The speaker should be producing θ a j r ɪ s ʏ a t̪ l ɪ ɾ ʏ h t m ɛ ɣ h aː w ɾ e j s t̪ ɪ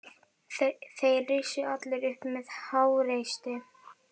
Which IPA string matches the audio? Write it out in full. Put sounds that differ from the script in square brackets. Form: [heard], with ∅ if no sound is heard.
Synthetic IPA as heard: θ [e] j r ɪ s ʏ a t̪ l ɪ ɾ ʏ h [p] m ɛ [ð] h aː w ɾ e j s t̪ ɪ